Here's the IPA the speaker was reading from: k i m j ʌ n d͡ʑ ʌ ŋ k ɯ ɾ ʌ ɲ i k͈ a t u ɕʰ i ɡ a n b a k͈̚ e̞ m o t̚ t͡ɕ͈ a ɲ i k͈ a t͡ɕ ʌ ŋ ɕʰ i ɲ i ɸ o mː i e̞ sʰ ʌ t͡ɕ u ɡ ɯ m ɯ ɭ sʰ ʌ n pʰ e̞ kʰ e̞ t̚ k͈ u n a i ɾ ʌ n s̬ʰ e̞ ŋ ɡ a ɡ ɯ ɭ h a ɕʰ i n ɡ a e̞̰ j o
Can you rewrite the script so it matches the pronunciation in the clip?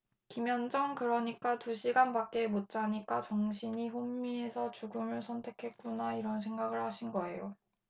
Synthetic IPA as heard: k i m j ʌ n d͡ʑ ʌ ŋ k ɯ ɾ ʌ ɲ i k͈ a t u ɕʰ i ɡ a n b a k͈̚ e̞ m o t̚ t͡ɕ͈ a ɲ i k͈ a t͡ɕ ʌ ŋ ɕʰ i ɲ i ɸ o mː i e̞ sʰ ʌ t͡ɕ u ɡ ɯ m ɯ ɭ sʰ ʌ n tʰ e̞ kʰ e̞ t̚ k͈ u n a i ɾ ʌ n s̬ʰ e̞ ŋ ɡ a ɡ ɯ ɭ h a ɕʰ i n ɡ ʌ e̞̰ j o